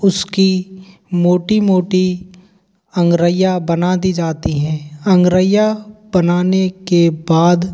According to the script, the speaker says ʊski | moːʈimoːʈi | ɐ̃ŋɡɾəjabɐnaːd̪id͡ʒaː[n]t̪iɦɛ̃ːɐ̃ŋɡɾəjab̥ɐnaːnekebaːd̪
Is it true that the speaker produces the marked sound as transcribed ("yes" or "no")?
no